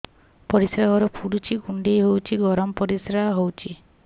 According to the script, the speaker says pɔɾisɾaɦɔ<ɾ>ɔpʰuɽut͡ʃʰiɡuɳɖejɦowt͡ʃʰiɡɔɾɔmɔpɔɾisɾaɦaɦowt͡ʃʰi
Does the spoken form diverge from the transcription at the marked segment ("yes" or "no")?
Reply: no